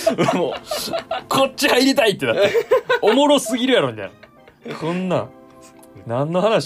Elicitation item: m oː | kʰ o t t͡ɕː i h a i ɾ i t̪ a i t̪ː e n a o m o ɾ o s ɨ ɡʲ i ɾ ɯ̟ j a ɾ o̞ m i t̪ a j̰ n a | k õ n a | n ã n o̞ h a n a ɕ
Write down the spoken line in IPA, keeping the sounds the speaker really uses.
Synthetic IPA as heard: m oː | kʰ o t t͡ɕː i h a i ɾ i t̪ a i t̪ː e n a o m o ɾ o s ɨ ɡʲ i ɾ ɯ̟ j a ɾ o̞ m i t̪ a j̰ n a | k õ nː a | n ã nː o̞ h a n a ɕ